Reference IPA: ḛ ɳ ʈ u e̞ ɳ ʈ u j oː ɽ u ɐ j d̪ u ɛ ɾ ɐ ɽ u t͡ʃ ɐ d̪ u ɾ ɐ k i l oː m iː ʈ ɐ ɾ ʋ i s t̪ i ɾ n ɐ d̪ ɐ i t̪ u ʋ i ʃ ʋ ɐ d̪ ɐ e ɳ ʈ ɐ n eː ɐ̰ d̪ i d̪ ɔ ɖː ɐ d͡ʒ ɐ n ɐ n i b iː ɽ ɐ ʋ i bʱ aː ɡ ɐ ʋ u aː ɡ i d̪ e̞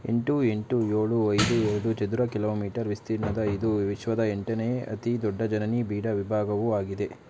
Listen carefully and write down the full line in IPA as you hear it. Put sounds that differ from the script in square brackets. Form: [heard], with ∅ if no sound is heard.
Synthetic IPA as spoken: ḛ ɳ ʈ u e̞ ɳ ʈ u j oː [ɭ] u ɐ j d̪ u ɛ ɾ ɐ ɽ u t͡ʃ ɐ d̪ u ɾ ɐ k i l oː m iː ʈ ɐ ɾ ʋ i s t̪ i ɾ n ɐ d̪ ɐ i [d̪] u ʋ i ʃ ʋ ɐ d̪ ɐ e ɳ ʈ ɐ n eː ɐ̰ [t̪] i d̪ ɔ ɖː ɐ d͡ʒ ɐ n ɐ n i b iː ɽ ɐ ʋ i bʱ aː ɡ ɐ ʋ u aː ɡ i d̪ e̞

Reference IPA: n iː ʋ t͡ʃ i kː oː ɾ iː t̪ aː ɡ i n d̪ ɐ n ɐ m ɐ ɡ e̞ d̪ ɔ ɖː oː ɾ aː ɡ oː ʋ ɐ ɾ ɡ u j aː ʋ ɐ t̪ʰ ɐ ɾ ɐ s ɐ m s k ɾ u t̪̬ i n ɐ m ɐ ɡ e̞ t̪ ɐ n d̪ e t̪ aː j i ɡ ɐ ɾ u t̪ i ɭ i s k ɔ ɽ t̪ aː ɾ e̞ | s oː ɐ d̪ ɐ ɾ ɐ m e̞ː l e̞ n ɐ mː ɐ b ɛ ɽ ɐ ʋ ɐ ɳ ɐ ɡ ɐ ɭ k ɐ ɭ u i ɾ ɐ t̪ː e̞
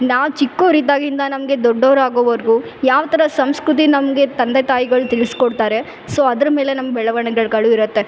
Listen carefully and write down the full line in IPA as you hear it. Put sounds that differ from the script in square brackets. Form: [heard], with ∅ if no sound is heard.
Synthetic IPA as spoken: n [aː] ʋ t͡ʃ i kː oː ɾ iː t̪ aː ɡ i n d̪ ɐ n ɐ m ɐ ɡ e̞ d̪ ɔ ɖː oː ɾ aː ɡ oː ʋ ɐ ɾ ɡ u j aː ʋ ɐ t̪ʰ ɐ ɾ ɐ s ɐ m s k ɾ u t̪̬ i n ɐ m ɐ ɡ e̞ t̪ ɐ n d̪ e t̪ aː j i ɡ ɐ [ɭ] u t̪ i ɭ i s k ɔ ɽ t̪ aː ɾ e̞ | s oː ɐ d̪ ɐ ɾ ɐ m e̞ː l e̞ n ɐ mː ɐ b ɛ [ɭ] ɐ ʋ ɐ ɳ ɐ ɡ ɐ ɭ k ɐ ɭ u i ɾ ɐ t̪ː e̞

